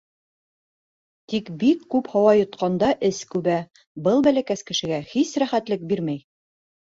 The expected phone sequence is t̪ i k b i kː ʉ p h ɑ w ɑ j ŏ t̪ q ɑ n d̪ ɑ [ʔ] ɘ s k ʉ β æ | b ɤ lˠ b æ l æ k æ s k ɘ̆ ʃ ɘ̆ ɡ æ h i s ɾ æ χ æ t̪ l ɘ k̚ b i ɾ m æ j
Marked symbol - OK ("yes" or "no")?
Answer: yes